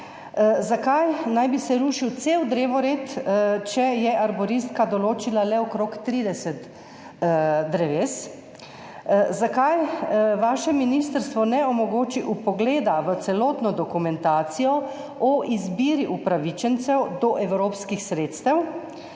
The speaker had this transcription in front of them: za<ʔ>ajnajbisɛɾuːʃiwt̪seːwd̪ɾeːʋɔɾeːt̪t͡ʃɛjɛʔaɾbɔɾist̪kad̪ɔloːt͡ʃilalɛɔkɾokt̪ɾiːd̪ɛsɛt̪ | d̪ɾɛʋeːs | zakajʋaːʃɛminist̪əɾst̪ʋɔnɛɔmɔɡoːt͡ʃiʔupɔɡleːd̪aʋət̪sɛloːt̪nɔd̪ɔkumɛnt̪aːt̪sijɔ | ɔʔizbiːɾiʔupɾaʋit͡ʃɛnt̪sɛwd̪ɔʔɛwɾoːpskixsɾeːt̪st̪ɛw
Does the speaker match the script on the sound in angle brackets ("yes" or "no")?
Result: no